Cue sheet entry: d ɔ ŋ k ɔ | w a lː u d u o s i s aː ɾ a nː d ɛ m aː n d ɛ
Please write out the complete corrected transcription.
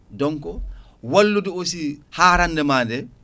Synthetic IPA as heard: d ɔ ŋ k ɔ | w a lː u d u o s i h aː ɾ a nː d ɛ m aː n d ɛ

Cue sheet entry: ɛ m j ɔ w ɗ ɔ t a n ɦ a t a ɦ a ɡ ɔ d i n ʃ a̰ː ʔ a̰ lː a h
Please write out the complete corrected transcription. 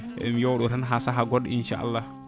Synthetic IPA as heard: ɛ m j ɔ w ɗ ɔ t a n ɦ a s a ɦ a ɡ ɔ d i n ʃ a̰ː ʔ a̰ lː a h

